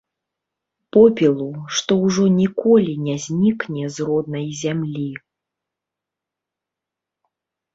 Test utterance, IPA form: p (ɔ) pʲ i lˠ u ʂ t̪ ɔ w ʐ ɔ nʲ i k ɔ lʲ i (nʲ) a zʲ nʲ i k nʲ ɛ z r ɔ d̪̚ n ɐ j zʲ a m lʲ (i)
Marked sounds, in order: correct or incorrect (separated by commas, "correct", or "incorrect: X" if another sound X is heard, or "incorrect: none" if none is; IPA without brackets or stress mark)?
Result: correct, correct, correct